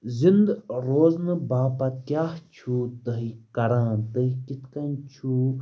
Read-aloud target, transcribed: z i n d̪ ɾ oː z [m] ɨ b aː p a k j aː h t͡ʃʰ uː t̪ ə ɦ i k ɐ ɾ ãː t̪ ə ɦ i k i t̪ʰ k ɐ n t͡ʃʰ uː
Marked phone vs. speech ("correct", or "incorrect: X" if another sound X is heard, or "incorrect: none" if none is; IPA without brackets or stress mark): incorrect: n